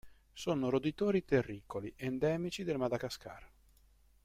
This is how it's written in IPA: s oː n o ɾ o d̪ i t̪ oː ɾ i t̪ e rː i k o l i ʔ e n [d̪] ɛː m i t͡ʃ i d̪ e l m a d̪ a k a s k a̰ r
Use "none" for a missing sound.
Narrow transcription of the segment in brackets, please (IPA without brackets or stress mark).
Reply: d̪